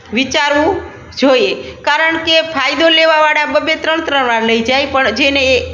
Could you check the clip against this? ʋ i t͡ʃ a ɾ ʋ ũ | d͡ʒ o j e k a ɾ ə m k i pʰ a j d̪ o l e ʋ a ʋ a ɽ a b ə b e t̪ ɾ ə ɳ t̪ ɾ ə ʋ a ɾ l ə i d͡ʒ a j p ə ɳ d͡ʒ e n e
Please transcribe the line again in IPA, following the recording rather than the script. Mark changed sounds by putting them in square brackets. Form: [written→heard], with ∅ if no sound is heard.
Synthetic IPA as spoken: ʋ i t͡ʃ a ɾ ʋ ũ | d͡ʒ o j e k a ɾ ə [m→ɳ] k [i→e] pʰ a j d̪ o l e ʋ a ʋ a ɽ a b ə b e t̪ ɾ ə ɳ t̪ ɾ ə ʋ a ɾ l ə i d͡ʒ a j p ə ɳ d͡ʒ e n e